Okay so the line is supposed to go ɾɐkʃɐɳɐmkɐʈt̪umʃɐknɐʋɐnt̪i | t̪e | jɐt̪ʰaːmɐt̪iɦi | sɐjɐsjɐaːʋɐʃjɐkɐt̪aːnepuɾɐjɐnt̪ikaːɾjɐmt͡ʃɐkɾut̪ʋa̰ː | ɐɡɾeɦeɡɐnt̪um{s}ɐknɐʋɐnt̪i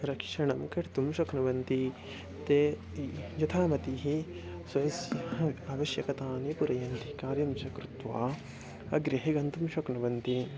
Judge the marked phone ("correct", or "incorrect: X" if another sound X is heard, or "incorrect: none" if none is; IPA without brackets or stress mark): incorrect: ʃ